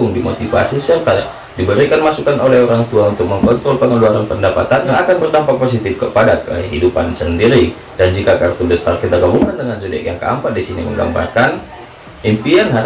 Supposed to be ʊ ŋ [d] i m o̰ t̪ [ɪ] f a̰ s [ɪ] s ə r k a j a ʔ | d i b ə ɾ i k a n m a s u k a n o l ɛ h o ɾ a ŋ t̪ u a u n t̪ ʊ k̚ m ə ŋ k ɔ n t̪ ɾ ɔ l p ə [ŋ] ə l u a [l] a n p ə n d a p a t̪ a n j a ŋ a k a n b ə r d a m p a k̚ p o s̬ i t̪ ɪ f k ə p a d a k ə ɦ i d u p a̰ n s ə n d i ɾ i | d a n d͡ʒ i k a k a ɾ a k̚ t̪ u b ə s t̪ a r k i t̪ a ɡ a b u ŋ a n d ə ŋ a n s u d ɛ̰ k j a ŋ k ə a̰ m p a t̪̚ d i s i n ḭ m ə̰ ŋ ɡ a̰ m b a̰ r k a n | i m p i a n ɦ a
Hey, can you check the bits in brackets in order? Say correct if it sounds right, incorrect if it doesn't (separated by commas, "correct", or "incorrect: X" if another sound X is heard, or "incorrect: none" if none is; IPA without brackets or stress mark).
correct, incorrect: i, incorrect: i, correct, incorrect: ɾ